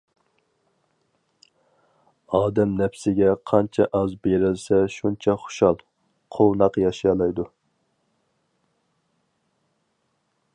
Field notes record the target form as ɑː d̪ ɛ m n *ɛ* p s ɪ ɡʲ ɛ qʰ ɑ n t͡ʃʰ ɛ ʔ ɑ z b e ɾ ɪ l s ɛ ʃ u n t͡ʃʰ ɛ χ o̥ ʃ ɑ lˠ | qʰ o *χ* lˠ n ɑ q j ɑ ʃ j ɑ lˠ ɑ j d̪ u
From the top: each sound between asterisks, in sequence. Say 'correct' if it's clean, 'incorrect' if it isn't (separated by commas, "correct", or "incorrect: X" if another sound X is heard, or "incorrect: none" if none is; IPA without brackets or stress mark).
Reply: correct, incorrect: none